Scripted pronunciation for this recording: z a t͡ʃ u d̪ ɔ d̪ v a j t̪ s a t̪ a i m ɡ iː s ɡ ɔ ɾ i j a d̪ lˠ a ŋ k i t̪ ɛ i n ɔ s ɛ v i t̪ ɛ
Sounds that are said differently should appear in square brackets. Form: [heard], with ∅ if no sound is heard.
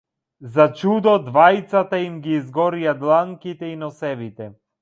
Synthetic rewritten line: z a t͡ʃ u d̪ ɔ d̪ v a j t̪ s a t̪ a i m ɡ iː [z] ɡ ɔ ɾ i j a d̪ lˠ a ŋ k i t̪ ɛ i n ɔ s ɛ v i t̪ ɛ